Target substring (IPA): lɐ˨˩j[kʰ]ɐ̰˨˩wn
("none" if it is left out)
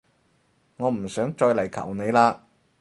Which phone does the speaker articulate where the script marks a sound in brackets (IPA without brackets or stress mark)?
kʰ